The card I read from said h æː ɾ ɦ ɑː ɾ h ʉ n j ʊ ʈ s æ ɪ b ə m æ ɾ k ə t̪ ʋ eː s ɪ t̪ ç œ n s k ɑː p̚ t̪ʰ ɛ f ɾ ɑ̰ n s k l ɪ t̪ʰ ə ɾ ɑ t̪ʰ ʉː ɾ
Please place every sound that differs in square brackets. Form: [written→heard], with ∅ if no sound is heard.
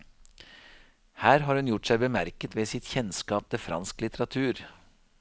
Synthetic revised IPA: h æː ɾ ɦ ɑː ɾ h ʉ n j ʊ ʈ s æ ɪ b ə m æ ɾ k ə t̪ ʋ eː s ɪ t̪ ç [œ→ɛ] n s k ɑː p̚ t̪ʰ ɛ f ɾ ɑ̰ n s k l ɪ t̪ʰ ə ɾ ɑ t̪ʰ ʉː ɾ